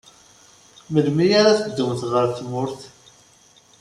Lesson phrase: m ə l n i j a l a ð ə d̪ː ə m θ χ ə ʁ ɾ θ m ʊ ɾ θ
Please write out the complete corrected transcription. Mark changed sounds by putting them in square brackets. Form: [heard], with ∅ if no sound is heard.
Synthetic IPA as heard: m ə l [m] i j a [ɾ] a [θ] ə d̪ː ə m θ [ʁ] ə [∅] ɾ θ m ʊ ɾ θ

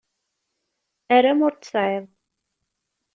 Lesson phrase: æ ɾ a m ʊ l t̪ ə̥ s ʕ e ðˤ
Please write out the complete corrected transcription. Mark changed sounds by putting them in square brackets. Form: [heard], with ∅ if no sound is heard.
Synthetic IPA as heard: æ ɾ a m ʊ [ɾ] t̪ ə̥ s ʕ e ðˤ

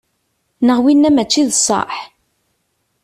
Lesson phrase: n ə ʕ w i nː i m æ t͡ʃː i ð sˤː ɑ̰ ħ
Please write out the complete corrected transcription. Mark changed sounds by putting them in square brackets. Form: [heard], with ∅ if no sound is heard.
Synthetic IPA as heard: n ə [ʁ] w i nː [æ] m æ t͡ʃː i ð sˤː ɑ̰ ħ

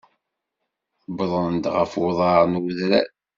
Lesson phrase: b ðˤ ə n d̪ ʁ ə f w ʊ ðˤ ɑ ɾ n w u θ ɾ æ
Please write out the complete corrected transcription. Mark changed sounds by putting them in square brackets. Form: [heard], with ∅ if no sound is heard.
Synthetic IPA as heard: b ðˤ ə n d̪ ʁ ə f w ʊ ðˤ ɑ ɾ n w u [ð] ɾ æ

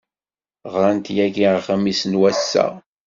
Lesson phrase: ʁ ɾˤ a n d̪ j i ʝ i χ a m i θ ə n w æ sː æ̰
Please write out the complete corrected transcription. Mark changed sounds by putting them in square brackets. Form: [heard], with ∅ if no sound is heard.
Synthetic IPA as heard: ʁ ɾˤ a n [t̪] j [æ] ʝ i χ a m i [s] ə n w æ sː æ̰

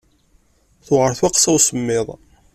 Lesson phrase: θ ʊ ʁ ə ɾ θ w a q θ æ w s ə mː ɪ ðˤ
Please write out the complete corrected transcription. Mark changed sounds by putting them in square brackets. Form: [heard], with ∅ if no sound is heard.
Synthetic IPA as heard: θ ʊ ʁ ə ɾ θ w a q [s] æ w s ə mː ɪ ðˤ

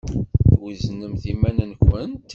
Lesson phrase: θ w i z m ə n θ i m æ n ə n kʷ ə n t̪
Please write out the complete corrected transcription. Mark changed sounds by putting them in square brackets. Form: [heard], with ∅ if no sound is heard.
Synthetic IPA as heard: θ w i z [n] ə [m] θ i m æ n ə n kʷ ə n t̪

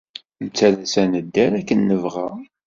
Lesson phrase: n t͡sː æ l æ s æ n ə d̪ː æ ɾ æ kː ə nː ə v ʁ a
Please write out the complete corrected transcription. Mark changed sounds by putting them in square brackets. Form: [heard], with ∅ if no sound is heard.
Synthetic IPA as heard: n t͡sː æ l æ s æ n ə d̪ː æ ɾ æ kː ə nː ə v ʁ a

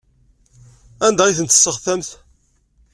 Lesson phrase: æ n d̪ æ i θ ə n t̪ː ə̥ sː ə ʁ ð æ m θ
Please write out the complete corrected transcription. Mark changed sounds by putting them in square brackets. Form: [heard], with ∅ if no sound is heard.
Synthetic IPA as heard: æ n d̪ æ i θ ə n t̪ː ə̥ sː ə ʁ [θ] æ m θ

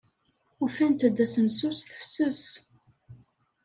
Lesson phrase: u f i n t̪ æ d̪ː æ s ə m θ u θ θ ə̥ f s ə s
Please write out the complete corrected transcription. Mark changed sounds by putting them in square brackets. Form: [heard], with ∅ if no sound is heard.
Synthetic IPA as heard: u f [æ] n t̪ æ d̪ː æ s ə m [s] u [s] θ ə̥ f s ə s

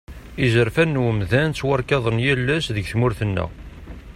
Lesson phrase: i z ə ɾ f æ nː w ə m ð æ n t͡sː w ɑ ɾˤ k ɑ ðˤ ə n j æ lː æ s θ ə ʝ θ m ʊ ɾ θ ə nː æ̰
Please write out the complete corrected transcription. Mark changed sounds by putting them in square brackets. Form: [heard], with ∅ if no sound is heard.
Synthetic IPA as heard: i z ə ɾ f æ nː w ə m ð æ n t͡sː w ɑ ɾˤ k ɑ ðˤ ə n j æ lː æ s [ð] ə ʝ θ m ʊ ɾ θ ə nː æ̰

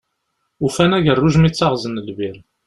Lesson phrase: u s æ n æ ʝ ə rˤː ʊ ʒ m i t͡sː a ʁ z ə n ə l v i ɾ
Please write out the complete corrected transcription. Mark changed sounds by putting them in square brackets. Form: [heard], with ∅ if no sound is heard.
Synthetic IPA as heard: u [f] æ n æ ʝ ə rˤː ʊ ʒ m i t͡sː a ʁ z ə n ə l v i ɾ

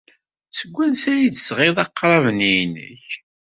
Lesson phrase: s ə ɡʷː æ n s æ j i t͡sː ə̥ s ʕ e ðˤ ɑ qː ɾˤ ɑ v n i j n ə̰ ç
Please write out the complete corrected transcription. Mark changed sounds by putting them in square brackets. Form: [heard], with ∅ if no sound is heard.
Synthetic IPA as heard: s ə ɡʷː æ n s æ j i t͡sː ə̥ s [ʁ] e ðˤ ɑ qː ɾˤ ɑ v n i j n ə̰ ç

